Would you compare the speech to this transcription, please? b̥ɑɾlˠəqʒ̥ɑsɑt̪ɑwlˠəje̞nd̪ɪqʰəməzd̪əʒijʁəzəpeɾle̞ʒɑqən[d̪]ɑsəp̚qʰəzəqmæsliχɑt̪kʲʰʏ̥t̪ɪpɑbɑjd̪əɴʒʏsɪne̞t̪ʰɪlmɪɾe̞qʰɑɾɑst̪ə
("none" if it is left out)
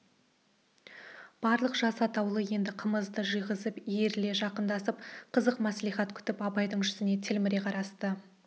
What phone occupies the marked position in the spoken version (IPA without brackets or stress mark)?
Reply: d̪